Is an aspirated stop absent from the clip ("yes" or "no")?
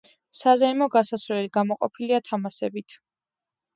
no